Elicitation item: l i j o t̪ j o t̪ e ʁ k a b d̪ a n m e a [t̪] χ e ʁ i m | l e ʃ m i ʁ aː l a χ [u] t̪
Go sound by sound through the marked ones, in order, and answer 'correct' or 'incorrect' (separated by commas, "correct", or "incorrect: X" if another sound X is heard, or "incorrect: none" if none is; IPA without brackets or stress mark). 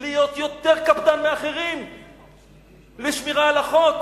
incorrect: none, incorrect: o